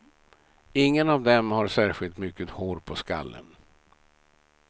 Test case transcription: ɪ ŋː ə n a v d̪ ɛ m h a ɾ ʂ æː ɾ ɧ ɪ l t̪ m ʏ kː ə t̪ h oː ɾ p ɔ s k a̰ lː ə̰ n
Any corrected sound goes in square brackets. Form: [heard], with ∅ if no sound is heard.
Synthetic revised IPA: ɪ ŋː ə n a v d̪ ɛ m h a ɾ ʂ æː ɾ ɧ ɪ l t̪ m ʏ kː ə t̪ h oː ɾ [pʰ] ɔ s k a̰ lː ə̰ n